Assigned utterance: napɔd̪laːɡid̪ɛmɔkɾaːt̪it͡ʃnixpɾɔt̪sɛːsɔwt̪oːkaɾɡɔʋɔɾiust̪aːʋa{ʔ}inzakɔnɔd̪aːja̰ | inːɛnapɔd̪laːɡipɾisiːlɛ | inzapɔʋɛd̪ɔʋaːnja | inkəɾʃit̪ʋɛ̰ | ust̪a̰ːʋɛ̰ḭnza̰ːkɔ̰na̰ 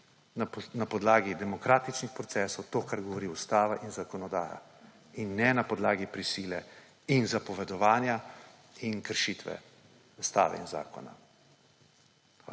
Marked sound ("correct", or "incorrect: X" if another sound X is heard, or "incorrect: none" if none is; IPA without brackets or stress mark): correct